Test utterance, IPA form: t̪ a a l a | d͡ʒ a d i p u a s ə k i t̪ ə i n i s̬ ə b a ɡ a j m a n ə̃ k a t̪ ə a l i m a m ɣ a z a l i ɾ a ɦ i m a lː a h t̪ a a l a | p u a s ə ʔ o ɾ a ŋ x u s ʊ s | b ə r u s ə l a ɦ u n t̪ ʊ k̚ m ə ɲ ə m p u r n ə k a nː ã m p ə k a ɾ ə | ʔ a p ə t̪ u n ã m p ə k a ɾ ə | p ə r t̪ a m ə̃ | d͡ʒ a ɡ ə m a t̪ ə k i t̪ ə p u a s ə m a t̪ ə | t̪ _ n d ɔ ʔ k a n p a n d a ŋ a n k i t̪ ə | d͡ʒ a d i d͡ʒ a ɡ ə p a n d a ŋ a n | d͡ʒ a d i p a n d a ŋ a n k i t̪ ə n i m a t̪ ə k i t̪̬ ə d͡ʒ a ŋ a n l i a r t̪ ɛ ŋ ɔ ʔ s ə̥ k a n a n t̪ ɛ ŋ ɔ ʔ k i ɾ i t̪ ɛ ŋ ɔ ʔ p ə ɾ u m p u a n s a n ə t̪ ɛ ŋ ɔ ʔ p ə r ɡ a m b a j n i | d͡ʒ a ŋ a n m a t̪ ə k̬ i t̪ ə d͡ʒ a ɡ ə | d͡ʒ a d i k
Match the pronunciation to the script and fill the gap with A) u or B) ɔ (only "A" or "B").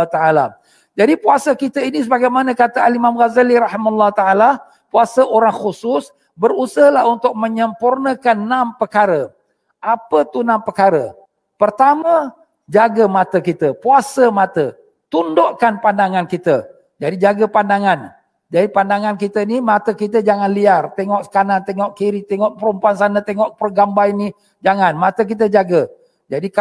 A